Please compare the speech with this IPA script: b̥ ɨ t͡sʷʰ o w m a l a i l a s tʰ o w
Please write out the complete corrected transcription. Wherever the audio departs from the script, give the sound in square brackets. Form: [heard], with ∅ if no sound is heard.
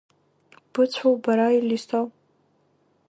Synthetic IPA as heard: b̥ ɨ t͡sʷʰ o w [b] a [ɾ] a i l [i] s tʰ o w